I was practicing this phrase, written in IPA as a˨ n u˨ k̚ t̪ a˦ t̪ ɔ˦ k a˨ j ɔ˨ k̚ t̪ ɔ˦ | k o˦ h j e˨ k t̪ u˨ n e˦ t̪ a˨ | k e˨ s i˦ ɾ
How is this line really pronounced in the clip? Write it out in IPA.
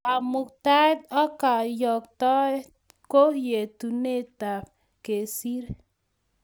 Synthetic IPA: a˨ m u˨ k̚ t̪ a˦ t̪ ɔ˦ k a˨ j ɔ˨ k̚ t̪ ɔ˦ | k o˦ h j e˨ t̪ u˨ n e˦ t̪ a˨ | k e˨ s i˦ ɾ